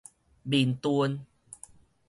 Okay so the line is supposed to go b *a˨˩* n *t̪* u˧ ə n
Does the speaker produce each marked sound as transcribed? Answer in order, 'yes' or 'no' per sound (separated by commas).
no, yes